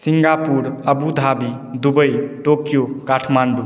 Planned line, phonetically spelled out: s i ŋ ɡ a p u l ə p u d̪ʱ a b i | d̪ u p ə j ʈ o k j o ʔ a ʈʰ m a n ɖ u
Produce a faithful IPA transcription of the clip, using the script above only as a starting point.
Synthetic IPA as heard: s i ŋ ɡ a p u ɾ ə b u d̪ʱ a b i | d̪ u b ə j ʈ o k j o k a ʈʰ m a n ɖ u